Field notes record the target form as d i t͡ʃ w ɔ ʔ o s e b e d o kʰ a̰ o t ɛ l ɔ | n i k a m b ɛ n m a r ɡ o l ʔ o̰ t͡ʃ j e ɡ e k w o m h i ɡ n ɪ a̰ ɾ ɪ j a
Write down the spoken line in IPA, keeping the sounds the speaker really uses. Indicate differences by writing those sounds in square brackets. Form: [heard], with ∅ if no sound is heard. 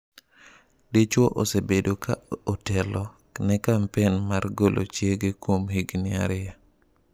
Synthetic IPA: d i t͡ʃ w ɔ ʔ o s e b e d o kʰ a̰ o t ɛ l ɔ | n [ɛ] k a m [p] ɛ n m a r ɡ o l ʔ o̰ t͡ʃ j e ɡ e k w o m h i ɡ n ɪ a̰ ɾ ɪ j a